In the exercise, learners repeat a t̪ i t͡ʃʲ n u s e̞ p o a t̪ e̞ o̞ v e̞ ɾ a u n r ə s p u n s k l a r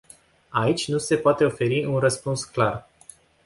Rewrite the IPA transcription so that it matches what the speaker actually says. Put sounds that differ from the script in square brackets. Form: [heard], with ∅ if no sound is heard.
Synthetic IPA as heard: a [∅] i t͡ʃʲ n u s e̞ p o a t̪ e̞ o̞ [f] e̞ ɾ [i] u n r ə s p u n s k l a r